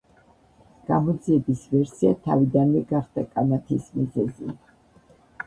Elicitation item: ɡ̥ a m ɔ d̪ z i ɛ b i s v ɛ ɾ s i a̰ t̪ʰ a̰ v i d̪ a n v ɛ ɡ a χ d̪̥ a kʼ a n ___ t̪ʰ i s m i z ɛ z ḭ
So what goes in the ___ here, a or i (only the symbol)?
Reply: a